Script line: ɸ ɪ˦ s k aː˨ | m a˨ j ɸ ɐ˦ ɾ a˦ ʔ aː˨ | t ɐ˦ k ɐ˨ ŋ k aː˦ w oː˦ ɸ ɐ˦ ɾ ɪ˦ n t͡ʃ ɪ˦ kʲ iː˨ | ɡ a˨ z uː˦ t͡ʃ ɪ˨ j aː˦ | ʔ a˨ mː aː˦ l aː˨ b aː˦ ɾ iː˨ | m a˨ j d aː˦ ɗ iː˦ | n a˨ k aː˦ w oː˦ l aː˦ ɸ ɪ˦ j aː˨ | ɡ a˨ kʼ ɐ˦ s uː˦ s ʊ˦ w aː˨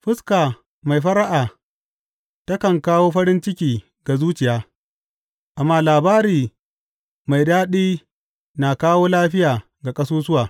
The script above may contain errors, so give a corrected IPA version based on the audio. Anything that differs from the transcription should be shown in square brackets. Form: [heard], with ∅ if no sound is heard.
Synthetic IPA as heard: ɸ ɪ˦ s k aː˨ | m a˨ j ɸ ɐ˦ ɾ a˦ ʔ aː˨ | t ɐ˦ k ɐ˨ ŋ k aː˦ w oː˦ ɸ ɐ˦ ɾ ɪ˦ n t͡ʃ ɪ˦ kʲ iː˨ | ɡ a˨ z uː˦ t͡ʃ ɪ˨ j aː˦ | ʔ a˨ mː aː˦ l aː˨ b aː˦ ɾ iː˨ | m a˨ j d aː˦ ɗ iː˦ | n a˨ k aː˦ w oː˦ l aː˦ ɸ ɪ˦ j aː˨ | ɡ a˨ kʼ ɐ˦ s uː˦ s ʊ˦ w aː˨

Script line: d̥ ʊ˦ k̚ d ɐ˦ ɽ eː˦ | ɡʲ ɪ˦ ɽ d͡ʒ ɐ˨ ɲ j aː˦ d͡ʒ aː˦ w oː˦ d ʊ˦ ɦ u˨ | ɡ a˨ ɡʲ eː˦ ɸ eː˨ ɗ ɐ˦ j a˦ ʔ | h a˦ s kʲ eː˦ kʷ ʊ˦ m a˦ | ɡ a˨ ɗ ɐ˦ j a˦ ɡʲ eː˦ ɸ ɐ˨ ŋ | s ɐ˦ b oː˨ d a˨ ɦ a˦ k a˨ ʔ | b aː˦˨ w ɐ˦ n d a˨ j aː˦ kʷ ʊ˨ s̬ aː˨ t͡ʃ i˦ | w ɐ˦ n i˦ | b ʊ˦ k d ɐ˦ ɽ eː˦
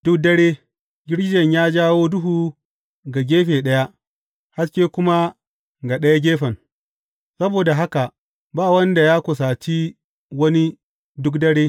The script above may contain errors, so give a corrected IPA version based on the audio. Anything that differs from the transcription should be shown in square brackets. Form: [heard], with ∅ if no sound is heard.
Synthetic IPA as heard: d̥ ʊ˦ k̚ d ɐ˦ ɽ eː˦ | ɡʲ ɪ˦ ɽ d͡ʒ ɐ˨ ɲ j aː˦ d͡ʒ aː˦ w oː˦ d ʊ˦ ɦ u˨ | ɡ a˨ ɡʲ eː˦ ɸ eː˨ ɗ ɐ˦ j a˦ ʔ | h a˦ s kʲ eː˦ kʷ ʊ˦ m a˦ | ɡ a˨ ɗ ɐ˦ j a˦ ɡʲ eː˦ ɸ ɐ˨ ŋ | s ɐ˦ b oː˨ d a˨ ɦ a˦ k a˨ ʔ | b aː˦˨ w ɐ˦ n d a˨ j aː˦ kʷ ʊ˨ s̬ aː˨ t͡ʃ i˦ | w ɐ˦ n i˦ | [d] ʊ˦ k d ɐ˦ ɽ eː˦

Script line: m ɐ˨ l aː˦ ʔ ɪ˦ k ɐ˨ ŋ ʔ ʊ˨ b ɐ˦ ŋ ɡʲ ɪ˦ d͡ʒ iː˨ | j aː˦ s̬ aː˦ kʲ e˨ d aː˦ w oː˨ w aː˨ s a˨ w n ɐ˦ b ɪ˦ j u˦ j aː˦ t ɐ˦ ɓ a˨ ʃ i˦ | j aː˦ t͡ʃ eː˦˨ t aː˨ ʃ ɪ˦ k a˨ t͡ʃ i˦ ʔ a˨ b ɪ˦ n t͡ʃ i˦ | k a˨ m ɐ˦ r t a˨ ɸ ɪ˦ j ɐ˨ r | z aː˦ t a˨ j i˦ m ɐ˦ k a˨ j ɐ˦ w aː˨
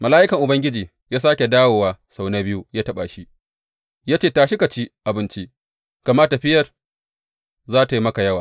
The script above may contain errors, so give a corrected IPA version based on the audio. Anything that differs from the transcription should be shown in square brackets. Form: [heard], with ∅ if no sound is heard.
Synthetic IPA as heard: m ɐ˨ l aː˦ ʔ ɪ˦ k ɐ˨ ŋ ʔ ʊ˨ b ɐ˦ ŋ ɡʲ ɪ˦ d͡ʒ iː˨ | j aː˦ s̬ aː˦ kʲ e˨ d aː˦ w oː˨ w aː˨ s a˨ w n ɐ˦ b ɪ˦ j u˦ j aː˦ t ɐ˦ ɓ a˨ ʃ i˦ | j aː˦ t͡ʃ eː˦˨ t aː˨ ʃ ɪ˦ k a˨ t͡ʃ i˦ ʔ a˨ b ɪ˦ n t͡ʃ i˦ | k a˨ m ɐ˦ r t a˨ ɸ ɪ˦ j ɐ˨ r | z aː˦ t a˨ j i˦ m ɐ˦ k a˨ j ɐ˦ w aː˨

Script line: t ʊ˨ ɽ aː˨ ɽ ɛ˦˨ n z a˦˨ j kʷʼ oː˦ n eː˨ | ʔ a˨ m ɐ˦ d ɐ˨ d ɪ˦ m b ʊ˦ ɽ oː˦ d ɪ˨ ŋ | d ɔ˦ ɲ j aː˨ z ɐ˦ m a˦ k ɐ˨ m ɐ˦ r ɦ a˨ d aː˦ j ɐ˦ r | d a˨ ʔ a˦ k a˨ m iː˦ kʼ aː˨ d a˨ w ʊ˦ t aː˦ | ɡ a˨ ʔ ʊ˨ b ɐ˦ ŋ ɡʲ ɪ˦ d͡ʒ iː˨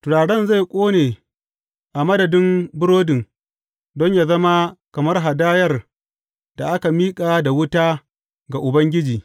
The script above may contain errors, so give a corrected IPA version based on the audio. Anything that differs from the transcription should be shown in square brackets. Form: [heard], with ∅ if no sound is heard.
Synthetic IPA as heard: t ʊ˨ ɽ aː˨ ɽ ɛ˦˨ n z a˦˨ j kʷʼ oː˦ n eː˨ | ʔ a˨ m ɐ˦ d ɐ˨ d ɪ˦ m b ʊ˦ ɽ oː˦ d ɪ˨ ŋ | d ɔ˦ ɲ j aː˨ z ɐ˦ m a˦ k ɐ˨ m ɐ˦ r ɦ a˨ d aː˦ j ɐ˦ r | d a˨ ʔ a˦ k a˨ m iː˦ kʼ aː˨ d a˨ w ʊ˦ t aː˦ | ɡ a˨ ʔ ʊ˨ b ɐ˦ ŋ ɡʲ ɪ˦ d͡ʒ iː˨

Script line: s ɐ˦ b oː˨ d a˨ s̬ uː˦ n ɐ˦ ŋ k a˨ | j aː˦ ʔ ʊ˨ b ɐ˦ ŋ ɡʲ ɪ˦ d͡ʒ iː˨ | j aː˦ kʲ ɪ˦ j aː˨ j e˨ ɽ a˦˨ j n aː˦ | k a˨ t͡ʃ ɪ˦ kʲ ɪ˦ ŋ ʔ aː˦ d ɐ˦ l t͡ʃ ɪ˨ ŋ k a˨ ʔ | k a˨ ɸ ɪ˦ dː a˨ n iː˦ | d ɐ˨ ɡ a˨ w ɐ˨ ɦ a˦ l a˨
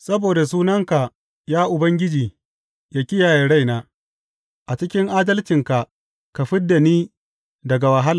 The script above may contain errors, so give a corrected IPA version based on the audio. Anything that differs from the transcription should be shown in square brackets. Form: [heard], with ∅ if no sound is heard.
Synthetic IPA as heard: s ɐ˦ b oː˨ d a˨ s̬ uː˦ n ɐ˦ ŋ k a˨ | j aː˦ ʔ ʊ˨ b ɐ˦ ŋ ɡʲ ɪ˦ d͡ʒ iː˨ | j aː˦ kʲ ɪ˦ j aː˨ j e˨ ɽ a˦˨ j n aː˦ | [ʔ] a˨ t͡ʃ ɪ˦ kʲ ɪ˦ ŋ ʔ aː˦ d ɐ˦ l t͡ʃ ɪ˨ ŋ k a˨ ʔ | k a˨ ɸ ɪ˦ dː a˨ n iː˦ | d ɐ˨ ɡ a˨ w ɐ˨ ɦ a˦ l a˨

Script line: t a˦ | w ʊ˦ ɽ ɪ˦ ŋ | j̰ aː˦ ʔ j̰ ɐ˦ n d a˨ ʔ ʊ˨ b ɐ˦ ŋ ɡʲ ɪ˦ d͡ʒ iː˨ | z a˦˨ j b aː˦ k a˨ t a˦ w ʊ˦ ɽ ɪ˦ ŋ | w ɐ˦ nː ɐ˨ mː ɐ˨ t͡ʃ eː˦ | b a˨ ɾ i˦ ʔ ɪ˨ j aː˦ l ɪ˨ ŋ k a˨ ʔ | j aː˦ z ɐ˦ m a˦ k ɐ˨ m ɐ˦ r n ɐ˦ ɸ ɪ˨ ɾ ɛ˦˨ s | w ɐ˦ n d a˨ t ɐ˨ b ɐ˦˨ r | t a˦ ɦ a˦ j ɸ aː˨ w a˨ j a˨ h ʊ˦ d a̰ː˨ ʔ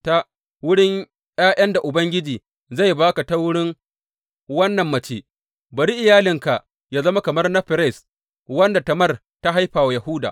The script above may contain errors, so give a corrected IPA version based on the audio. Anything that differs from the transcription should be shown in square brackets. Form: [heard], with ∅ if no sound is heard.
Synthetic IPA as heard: t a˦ | w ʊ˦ ɽ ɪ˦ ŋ | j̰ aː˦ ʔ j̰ ɐ˦ n d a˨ ʔ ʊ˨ b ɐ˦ ŋ ɡʲ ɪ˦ d͡ʒ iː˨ | z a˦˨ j b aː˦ k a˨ t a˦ w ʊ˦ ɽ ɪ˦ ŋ | w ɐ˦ nː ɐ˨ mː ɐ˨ t͡ʃ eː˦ | b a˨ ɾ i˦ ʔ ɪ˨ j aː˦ l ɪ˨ ŋ k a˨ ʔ | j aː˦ z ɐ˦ m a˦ k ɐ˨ m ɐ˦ r n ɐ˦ ɸ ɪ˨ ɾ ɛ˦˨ s | w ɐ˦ n d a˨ t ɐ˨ [m] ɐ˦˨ r | t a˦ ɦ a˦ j ɸ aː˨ w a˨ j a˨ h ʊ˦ d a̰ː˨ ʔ

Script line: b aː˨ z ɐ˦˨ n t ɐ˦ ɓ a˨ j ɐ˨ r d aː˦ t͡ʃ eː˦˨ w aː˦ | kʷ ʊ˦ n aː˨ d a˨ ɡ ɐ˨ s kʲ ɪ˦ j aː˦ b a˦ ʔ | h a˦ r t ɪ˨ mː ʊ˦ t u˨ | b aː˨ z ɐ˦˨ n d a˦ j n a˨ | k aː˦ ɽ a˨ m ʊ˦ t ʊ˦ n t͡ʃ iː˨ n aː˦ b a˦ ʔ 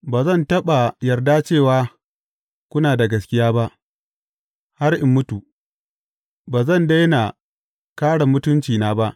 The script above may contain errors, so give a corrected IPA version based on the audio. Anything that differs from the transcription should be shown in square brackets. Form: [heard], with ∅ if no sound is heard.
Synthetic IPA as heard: b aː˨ z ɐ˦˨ n t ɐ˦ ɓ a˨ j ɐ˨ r d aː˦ t͡ʃ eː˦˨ w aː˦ | kʷ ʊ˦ n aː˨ d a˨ ɡ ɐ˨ s kʲ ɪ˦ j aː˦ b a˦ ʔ | h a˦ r [ʔ] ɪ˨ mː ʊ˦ t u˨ | b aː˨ z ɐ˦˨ n d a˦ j n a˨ | k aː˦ ɽ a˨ m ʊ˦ t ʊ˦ n t͡ʃ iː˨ n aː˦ b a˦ ʔ

